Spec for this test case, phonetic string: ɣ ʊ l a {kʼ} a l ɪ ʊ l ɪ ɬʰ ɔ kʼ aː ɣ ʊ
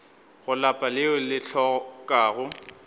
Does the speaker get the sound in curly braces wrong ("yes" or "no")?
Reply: yes